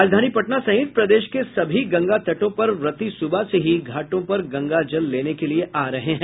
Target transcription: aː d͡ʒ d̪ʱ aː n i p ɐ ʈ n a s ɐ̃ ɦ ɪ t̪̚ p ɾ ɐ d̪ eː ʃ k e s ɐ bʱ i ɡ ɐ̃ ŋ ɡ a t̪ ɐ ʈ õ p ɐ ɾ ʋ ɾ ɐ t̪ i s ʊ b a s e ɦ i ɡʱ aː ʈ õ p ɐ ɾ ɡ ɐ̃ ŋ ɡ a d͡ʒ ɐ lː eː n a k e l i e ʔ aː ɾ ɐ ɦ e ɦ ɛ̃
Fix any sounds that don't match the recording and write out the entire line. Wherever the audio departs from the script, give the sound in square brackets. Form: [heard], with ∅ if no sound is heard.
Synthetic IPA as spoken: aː d͡ʒ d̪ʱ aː n i p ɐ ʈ n a s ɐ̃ ɦ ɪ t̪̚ p ɾ ɐ d̪ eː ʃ k e s ɐ bʱ i ɡ ɐ̃ ŋ ɡ a t̪ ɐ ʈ õ p ɐ ɾ ʋ ɾ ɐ t̪ i s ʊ b a s e ɦ i ɡʱ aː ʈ õ p ɐ ɾ ɡ ɐ̃ ŋ ɡ a d͡ʒ ɐ lː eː n [e] k e l i e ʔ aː ɾ ɐ ɦ e ɦ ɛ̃